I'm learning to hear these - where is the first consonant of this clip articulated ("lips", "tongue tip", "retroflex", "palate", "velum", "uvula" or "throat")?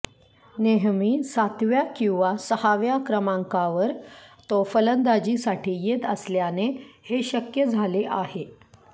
tongue tip